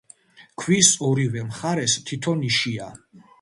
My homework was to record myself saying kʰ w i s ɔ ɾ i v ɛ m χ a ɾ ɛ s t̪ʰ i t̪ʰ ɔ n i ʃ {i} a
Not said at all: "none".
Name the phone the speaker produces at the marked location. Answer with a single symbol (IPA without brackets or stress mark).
i